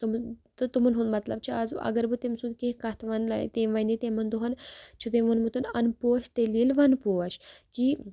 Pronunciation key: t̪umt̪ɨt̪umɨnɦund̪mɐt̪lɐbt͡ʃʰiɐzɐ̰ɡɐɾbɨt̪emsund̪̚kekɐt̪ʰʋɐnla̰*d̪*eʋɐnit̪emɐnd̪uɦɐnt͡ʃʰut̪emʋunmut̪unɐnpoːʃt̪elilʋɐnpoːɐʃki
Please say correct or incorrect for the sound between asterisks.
incorrect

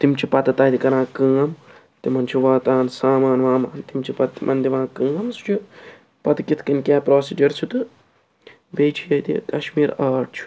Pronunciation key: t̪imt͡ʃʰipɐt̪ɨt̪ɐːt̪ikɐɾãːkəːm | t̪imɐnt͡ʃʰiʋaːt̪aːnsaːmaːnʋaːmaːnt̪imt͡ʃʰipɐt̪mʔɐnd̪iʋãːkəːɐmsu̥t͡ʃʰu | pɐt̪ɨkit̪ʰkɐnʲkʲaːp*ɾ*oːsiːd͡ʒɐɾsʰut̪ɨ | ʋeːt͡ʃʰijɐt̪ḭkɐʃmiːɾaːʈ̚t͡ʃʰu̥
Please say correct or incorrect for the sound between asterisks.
correct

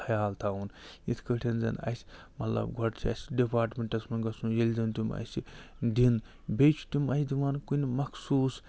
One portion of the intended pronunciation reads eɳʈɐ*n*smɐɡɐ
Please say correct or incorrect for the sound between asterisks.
incorrect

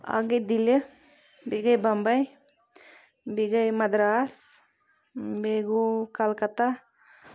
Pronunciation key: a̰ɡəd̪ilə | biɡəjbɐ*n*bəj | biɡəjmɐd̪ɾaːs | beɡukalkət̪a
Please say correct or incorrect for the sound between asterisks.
incorrect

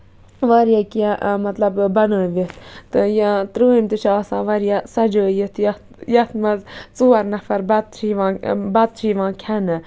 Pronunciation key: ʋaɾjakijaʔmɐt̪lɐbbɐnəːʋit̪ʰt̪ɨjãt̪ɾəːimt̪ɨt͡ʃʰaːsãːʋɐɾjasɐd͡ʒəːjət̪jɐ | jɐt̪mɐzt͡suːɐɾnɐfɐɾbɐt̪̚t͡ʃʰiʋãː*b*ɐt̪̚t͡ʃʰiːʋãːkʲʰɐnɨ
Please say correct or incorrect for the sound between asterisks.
correct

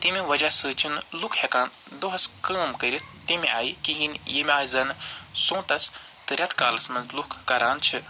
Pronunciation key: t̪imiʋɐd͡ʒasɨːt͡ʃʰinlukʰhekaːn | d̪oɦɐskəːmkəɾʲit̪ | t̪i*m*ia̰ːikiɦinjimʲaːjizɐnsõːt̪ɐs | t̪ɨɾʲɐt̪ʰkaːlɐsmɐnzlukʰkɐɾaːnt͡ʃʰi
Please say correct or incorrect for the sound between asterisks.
correct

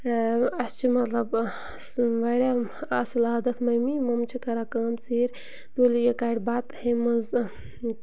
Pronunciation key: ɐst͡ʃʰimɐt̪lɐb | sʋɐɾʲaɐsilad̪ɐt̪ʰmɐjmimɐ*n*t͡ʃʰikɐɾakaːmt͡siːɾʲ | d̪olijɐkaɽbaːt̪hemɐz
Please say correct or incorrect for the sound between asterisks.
incorrect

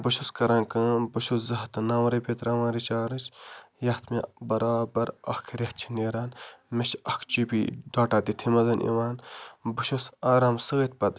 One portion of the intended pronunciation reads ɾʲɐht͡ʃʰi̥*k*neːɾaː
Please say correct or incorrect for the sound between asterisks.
incorrect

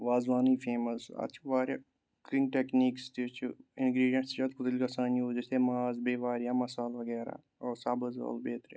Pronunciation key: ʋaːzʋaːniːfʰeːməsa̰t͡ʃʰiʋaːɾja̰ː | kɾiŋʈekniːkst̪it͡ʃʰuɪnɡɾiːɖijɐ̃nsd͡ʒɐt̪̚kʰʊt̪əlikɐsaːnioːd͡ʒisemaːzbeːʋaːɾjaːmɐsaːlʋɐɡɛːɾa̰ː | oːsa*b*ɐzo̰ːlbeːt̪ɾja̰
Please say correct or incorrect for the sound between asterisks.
correct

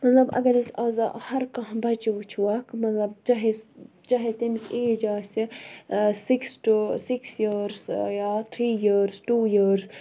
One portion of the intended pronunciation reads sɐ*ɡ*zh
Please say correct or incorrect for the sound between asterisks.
incorrect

